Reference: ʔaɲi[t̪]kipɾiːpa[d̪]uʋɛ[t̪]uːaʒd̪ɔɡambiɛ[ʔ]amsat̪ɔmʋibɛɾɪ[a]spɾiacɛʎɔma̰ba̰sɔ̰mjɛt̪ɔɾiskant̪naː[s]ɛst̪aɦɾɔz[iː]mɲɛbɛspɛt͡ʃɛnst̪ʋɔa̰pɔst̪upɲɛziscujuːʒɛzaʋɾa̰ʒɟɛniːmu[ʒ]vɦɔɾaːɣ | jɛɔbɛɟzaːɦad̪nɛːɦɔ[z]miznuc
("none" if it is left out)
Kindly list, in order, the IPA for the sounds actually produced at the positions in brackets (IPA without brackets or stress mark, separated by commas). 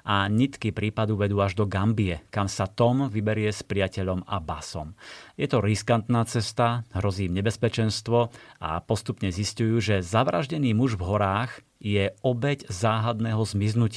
t̪, d̪, d̪, k, ɛ, t͡s, iː, ʒ, z